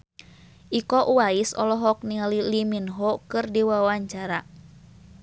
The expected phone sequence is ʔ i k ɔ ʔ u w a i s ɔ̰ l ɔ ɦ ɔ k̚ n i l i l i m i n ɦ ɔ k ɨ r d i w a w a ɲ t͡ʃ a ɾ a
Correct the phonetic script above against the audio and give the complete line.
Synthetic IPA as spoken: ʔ i k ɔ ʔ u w a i s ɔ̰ l ɔ ɦ ɔ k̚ n i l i l i m i n ɦ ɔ k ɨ r d i w a w a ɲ t͡ʃ a ɾ a